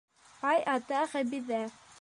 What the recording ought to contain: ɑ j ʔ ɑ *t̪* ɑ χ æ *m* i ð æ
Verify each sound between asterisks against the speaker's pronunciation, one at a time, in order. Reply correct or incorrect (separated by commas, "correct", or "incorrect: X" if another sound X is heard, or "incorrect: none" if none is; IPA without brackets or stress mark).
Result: correct, incorrect: b